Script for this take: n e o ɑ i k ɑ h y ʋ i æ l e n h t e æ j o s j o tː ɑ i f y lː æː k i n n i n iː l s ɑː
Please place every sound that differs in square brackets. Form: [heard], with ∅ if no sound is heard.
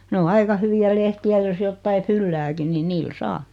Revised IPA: n e o ɑ i k ɑ h y ʋ i æ l e [∅] h t [i] æ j o s j o tː ɑ i f y lː æː k i n n i n iː l s ɑː